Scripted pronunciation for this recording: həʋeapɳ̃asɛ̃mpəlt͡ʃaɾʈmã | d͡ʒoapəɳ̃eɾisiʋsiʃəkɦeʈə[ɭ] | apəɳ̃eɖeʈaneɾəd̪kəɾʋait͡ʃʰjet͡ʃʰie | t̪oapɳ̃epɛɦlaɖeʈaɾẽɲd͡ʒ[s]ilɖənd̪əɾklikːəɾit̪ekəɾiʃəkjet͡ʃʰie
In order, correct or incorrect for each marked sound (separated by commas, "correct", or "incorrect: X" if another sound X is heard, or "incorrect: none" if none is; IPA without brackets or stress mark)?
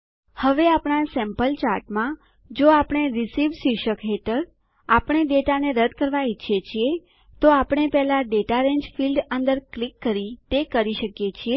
incorrect: ɾ, incorrect: f